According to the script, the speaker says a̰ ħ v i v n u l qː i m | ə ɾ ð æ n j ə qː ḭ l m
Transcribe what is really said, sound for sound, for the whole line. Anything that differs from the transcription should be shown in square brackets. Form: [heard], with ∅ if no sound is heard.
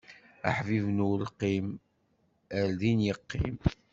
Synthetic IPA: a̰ ħ v i v n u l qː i m | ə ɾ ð [i] n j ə qː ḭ [∅] m